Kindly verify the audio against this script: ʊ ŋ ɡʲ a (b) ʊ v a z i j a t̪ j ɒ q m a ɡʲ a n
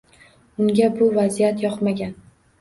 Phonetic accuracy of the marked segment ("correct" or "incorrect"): correct